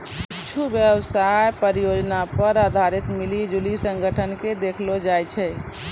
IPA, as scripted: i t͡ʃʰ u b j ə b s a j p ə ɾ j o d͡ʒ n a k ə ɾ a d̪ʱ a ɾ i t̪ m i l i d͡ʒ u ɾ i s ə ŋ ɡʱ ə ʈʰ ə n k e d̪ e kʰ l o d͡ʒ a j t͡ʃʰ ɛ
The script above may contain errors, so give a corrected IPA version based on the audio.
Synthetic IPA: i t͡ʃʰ u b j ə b s a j p ə ɾ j o d͡ʒ n a p ə ɾ a d̪ʱ a ɾ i t̪ m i l i d͡ʒ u l i s ə ŋ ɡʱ ə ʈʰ ə n k e d̪ e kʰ l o d͡ʒ a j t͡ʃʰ ɛ